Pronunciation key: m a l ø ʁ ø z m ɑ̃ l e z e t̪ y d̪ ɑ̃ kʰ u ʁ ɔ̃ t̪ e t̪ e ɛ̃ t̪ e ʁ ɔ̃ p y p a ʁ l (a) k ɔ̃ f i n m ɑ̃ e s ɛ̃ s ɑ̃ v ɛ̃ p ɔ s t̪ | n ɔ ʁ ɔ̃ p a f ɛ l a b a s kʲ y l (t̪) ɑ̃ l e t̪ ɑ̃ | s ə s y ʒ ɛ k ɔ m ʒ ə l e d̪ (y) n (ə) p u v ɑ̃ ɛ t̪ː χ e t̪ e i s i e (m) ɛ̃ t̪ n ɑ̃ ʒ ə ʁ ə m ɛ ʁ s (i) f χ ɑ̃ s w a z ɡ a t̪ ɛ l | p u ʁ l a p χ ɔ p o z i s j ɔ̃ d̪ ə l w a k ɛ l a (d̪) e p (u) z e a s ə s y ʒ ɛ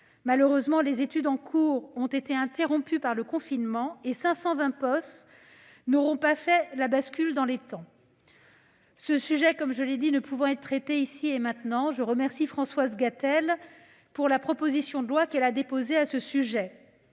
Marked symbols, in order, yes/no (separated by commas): no, no, no, yes, yes, yes, yes, no